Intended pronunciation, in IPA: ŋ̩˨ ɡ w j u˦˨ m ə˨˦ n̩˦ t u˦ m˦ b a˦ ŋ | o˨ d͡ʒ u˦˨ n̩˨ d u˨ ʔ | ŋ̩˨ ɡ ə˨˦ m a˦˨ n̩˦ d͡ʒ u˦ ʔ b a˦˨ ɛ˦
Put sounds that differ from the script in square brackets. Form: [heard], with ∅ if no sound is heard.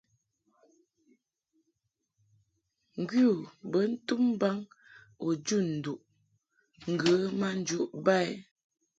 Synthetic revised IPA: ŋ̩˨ ɡ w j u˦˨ [b] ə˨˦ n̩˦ t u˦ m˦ b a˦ ŋ | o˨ d͡ʒ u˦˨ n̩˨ d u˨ ʔ | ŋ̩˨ ɡ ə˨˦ m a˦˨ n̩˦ d͡ʒ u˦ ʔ b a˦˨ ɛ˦